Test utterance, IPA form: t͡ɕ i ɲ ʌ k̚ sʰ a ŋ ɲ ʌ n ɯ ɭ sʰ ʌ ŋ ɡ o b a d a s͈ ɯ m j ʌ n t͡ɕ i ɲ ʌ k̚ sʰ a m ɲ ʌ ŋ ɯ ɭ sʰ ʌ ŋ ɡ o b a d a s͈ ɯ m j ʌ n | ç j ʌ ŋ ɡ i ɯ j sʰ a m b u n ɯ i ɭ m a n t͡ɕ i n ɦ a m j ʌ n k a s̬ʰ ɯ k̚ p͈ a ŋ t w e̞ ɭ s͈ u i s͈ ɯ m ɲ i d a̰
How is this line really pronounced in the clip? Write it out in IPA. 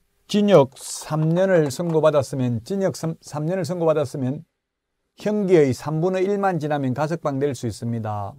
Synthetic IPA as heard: t͡ɕ i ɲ ʌ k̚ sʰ a m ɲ ʌ n ɯ ɭ sʰ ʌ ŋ ɡ o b a d a s͈ ɯ m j ʌ n t͡ɕ i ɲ ʌ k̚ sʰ a m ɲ ʌ n ɯ ɭ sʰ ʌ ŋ ɡ o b a d a s͈ ɯ m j ʌ n | ç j ʌ ŋ ɡ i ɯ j sʰ a m b u n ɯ i ɭ m a n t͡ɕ i n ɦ a m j ʌ n k a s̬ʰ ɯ k̚ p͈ a ŋ d w e̞ ɭ s͈ u i s͈ ɯ m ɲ i d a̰